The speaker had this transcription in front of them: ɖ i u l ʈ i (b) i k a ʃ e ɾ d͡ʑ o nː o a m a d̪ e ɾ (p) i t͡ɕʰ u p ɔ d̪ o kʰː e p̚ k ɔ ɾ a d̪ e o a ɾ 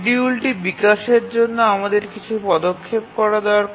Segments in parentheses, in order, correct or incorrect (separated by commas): correct, incorrect